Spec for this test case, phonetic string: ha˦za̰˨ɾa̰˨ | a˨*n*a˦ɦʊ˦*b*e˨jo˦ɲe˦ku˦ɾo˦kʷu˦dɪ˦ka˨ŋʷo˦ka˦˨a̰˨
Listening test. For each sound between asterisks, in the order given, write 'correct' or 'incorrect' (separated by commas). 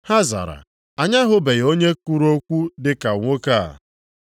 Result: incorrect, correct